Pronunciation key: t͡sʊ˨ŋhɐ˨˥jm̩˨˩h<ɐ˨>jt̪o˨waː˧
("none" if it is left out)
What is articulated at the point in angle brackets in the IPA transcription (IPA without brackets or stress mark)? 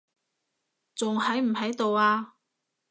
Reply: ɐ˨˥